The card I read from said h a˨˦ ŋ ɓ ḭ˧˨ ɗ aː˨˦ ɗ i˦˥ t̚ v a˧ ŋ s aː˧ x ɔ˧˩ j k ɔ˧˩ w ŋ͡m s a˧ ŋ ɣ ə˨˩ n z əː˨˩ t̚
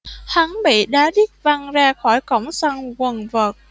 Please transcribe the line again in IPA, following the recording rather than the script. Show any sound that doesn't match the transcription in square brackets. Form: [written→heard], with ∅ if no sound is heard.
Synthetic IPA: h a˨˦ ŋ ɓ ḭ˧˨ ɗ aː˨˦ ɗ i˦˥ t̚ v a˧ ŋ [s→z] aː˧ x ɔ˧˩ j k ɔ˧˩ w ŋ͡m s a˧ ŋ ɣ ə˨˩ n [z→v] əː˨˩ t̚